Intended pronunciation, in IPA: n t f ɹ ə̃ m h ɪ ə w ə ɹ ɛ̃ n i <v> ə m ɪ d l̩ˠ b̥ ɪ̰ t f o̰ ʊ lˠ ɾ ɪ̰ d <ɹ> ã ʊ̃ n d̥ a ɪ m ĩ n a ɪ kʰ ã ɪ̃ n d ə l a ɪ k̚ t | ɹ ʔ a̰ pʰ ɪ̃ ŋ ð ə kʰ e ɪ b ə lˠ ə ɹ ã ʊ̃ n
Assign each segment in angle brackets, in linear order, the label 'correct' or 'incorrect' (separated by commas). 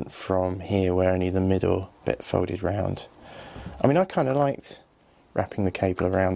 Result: incorrect, correct